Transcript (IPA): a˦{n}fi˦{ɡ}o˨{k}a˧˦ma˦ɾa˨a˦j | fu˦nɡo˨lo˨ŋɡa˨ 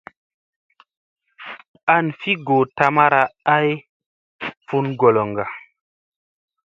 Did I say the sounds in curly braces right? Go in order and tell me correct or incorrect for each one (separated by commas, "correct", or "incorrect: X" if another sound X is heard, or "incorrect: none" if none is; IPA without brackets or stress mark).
correct, correct, incorrect: t